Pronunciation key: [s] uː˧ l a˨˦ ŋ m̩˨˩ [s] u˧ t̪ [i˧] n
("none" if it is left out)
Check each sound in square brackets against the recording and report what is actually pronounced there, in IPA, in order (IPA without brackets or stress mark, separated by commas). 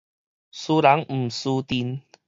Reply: s, s, i˧